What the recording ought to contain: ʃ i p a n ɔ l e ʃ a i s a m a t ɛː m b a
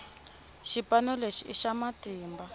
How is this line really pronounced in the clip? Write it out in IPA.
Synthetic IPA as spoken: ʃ i p a n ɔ l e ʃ i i ʃ a m a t iː m b a

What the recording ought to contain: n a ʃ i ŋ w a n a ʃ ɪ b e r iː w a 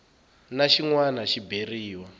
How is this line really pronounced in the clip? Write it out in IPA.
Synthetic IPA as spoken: n a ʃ i ŋ w a n a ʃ i b e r iː w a

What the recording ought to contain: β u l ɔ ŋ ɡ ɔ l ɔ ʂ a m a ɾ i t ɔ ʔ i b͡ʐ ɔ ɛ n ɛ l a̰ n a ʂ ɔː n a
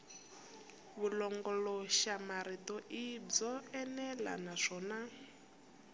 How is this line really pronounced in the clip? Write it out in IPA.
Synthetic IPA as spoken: β u l ɔ ŋ ɡ ɔ l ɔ ʃ a m a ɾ i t ɔ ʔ i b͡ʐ ɔ ɛ n ɛ l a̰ n a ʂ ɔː n a

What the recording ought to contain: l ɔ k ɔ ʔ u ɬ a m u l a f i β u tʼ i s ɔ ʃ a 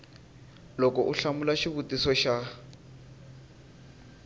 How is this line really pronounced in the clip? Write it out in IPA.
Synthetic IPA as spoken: l ɔ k ɔ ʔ u ɬ a m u l a ʃ i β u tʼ i s ɔ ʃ a

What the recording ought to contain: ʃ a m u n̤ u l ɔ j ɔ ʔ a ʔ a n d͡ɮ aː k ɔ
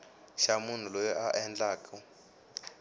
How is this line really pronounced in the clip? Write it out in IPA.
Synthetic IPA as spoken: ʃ a m u n̤ u l ɔ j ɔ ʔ a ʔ ɛ n d͡ɮ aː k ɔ

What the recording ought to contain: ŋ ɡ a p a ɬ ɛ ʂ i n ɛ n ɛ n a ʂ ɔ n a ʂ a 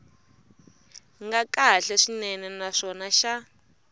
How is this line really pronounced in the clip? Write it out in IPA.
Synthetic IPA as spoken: ŋ ɡ a k a ɬ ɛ ʂ i n ɛ n ɛ n a ʂ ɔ n a ʃ a

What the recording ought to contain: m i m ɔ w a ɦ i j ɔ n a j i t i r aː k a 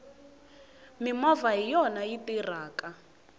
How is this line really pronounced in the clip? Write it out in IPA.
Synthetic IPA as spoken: m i m ɔ v a ɦ i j ɔ n a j i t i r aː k a

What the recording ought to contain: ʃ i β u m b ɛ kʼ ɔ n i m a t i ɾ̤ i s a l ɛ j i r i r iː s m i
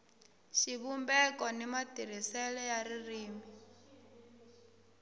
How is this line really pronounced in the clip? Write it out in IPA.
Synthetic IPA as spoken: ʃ i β u m b ɛ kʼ ɔ n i m a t i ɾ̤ i s ɛ l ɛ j a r i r iː m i

